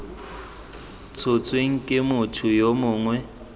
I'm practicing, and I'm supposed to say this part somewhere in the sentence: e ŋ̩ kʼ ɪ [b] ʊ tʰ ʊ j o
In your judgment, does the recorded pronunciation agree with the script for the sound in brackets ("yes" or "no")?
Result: no